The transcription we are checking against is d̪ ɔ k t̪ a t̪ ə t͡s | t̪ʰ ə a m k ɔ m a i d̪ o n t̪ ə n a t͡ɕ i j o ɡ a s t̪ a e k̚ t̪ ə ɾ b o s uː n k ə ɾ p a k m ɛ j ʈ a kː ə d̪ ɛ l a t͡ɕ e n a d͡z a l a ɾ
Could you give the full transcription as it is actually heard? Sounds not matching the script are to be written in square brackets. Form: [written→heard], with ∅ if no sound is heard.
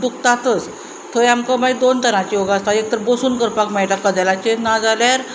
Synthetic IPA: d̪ [ɔ→u] k t̪ a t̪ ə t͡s | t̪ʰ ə a m k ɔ m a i d̪ o n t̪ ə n a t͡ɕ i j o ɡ a s t̪ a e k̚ t̪ ə ɾ b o s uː n k ə ɾ p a k m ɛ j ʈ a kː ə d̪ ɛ l a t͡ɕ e n a d͡z a l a ɾ